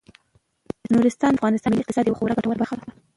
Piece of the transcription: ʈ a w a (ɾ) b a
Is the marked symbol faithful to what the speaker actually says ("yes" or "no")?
yes